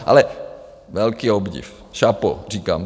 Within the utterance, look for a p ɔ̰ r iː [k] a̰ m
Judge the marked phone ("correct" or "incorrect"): correct